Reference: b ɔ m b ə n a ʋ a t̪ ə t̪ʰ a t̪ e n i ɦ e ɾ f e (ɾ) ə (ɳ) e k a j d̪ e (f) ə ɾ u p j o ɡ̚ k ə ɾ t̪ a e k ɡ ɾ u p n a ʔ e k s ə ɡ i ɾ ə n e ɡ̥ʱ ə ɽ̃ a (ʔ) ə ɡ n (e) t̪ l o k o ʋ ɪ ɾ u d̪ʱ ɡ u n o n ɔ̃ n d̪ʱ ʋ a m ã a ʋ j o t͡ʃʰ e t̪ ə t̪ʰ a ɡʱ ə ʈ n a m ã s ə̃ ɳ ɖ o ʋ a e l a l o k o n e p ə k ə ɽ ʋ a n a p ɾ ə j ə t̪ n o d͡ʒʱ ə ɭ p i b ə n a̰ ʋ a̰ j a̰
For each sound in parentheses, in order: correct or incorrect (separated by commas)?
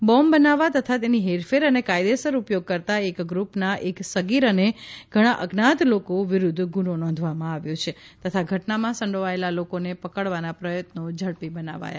correct, incorrect, incorrect, correct, incorrect